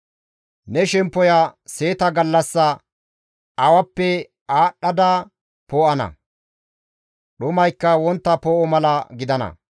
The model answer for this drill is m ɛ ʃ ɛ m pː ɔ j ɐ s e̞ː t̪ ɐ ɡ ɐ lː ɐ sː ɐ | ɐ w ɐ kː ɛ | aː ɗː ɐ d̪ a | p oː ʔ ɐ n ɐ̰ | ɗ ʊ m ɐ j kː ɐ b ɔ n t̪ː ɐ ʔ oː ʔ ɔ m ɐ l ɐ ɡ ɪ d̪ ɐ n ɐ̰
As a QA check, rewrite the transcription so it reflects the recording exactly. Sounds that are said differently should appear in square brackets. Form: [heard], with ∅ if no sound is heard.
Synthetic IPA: [n] ɛ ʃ ɛ m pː ɔ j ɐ s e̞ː t̪ ɐ ɡ ɐ lː ɐ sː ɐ | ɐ w ɐ [pː] ɛ | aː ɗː ɐ d̪ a | p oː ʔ ɐ n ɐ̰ | ɗ ʊ m ɐ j kː ɐ [w] ɔ n t̪ː ɐ [p] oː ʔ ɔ m ɐ l ɐ ɡ ɪ d̪ ɐ n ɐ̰